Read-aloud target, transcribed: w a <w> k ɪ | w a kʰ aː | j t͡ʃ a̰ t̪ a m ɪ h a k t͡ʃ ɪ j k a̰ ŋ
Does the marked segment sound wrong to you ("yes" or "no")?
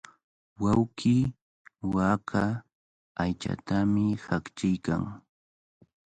no